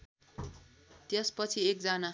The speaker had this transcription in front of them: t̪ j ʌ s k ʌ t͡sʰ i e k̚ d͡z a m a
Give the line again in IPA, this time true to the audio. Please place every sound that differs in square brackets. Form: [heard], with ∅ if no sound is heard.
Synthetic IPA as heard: t̪ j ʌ s [p] ʌ t͡sʰ i e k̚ d͡z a [n] a